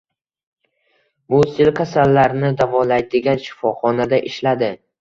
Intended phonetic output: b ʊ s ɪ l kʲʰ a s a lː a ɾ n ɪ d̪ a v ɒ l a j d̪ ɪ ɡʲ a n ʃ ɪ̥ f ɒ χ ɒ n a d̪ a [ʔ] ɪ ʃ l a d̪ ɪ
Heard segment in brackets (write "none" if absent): ʔ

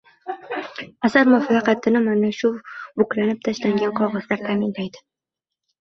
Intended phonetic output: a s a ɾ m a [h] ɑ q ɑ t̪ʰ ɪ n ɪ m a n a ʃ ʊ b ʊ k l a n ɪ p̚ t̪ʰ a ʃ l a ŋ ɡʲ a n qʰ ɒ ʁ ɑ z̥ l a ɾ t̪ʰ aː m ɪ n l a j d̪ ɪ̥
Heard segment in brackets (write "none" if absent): f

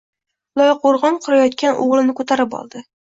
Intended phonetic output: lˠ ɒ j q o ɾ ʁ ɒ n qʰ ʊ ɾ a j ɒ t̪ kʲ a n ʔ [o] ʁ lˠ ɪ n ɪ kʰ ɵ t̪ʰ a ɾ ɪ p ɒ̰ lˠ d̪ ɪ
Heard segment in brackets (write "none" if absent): o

